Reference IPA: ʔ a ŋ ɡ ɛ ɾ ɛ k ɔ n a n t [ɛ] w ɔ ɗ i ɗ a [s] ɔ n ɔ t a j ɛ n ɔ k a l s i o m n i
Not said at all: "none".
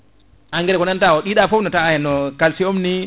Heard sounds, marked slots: a, f

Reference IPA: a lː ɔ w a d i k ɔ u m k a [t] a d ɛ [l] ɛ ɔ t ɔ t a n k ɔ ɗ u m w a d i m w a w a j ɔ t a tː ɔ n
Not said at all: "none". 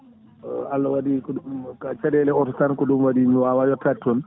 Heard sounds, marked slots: t͡ʃ, l

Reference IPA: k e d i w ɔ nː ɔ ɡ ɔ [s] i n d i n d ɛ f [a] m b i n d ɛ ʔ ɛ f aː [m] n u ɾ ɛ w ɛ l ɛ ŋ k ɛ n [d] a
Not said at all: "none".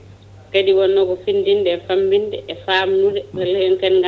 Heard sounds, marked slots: f, a, m, ɡ

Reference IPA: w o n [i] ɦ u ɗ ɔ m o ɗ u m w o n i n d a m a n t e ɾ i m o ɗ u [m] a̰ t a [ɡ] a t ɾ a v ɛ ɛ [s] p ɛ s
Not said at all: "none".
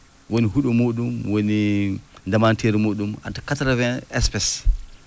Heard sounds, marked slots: i, m, k, s

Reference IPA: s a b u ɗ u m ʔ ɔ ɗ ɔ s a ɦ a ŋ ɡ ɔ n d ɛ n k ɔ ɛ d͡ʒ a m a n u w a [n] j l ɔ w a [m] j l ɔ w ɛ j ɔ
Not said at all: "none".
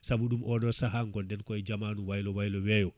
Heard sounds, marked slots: none, none

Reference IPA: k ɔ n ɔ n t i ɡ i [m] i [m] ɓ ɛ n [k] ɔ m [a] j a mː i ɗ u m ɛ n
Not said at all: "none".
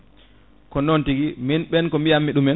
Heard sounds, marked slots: m, n, k, i

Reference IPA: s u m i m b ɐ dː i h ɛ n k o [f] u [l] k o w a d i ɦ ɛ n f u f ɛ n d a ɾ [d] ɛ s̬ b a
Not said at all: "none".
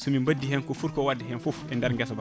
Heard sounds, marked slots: f, ɾ, ɡ

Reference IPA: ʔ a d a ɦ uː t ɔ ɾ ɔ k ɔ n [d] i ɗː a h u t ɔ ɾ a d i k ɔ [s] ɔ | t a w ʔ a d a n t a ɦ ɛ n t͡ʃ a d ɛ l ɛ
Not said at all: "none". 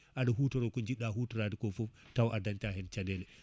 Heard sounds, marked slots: d͡ʒ, f

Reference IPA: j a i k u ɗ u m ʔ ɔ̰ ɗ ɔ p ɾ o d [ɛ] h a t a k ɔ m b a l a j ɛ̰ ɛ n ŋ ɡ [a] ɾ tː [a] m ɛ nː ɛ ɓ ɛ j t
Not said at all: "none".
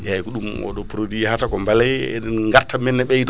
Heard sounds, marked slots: i, a, a

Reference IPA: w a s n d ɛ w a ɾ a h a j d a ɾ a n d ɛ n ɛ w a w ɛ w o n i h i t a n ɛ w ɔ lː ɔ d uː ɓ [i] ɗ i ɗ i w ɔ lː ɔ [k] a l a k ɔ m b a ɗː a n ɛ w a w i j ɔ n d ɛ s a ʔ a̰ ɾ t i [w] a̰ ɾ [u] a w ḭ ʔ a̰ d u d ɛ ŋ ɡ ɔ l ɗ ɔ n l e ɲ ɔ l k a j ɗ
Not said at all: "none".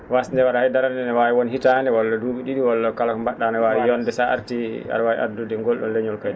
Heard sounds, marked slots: i, k, none, w

